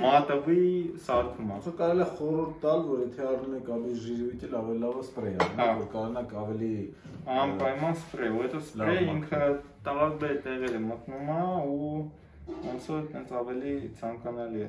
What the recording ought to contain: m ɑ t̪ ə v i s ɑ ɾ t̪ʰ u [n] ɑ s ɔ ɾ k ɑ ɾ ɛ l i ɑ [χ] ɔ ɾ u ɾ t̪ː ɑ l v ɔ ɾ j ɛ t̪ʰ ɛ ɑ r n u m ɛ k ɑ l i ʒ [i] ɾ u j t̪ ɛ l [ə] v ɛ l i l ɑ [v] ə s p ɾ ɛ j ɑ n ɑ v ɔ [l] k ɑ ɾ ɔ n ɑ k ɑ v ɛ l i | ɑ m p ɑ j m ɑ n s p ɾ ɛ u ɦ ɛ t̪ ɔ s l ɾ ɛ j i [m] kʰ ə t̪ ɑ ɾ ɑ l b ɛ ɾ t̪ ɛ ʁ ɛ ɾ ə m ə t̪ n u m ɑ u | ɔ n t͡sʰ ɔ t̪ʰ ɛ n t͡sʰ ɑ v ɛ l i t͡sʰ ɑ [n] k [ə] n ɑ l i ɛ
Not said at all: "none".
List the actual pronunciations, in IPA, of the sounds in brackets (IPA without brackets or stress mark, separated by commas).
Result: m, χ, i, ɑ, v, ɾ, ŋ, ŋ, ɑ